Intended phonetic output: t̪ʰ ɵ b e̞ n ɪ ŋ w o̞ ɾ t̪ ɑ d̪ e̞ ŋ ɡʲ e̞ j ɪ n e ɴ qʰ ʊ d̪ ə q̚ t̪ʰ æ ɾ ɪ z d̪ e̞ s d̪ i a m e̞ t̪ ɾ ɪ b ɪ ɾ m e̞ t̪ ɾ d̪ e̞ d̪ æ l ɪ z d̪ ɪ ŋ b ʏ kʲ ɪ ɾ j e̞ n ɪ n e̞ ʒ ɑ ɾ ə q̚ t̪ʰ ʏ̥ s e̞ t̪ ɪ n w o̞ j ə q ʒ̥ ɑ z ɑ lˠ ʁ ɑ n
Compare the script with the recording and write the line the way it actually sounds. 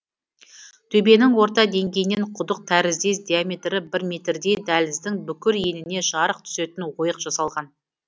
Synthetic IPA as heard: t̪ʰ ɵ b e̞ n ɪ ŋ w o̞ ɾ t̪ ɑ d̪ e̞ ŋ ɡʲ e̞ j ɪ n e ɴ qʰ ʊ d̪ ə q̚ t̪ʰ æ ɾ ɪ z d̪ e̞ s d̪ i a m e̞ t̪ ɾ ɪ b ɪ ɾ m e̞ t̪ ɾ d̪ e̞ d̪ æ l ɪ z d̪ ɪ ŋ b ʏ kʲ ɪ ɾ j e̞ n ɪ n e̞ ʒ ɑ ɾ ə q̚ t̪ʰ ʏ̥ s e̞ t̪ ɪ n w o̞ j ə q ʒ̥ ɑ s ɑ lˠ ʁ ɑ n